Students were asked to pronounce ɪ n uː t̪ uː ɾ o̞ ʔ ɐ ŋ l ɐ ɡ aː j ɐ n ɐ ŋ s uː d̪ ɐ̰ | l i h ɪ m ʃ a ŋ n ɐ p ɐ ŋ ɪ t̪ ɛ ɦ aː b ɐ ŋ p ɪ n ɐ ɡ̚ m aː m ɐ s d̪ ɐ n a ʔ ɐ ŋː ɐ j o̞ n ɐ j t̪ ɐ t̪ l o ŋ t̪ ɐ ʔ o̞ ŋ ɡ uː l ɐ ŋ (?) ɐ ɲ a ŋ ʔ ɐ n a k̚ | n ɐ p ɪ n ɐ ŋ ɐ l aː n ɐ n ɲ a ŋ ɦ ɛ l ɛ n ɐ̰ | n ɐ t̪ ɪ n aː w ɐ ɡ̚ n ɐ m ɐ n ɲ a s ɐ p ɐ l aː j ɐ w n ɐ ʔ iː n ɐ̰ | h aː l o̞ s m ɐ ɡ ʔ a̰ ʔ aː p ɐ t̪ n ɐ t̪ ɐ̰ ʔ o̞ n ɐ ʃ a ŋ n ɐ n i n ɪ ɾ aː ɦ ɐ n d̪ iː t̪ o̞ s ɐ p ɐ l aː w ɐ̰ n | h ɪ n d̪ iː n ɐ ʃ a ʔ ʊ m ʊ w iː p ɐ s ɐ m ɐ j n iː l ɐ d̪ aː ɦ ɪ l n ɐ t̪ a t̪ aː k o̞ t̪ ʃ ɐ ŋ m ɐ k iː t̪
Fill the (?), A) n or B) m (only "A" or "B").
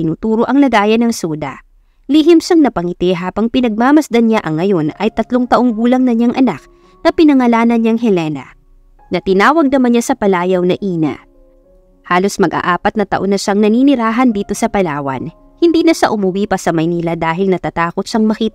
A